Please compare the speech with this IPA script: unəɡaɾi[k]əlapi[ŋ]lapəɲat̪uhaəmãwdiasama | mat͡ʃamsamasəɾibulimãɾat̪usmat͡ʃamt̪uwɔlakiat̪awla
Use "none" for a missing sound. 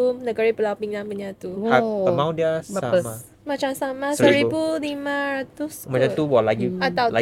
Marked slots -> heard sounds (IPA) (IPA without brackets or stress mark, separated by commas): p, ŋ